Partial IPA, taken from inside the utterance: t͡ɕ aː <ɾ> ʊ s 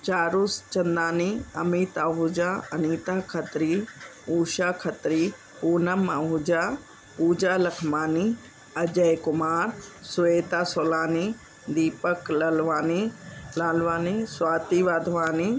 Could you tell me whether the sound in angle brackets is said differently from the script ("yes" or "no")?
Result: no